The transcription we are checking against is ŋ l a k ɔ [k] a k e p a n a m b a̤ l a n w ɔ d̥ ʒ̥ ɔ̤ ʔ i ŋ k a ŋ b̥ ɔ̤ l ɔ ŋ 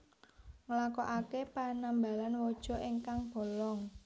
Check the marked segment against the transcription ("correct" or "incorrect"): incorrect